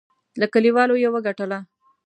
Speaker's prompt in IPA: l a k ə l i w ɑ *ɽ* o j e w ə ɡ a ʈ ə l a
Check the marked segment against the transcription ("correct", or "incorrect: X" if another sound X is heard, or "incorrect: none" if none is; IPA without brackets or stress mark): incorrect: l